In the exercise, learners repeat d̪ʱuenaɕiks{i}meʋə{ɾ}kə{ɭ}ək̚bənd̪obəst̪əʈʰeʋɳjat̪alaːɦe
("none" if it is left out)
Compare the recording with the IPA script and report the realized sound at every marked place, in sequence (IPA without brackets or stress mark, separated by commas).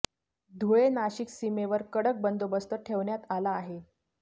i, ɾ, ɽ